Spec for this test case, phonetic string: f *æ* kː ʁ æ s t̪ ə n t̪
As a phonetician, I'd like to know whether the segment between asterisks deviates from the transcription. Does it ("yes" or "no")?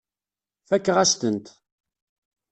no